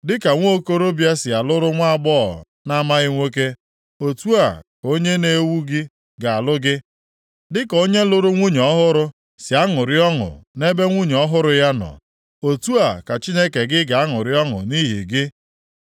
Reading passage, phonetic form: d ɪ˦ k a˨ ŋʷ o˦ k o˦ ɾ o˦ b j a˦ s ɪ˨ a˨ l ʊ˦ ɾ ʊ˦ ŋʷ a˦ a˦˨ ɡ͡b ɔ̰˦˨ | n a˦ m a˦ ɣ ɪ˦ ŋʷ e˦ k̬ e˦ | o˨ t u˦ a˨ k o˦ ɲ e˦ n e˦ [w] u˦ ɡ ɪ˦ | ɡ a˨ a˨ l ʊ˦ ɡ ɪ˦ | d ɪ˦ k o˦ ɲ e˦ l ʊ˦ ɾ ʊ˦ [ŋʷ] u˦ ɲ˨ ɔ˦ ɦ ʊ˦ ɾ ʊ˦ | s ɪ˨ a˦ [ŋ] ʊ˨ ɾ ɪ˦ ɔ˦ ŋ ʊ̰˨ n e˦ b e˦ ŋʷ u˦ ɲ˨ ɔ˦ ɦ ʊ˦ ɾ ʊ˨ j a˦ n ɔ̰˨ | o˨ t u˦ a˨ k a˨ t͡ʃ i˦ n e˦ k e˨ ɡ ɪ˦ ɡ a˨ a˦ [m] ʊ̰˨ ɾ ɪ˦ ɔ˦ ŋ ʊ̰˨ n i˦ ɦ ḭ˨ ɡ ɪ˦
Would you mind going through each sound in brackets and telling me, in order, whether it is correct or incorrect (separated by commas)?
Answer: correct, correct, correct, incorrect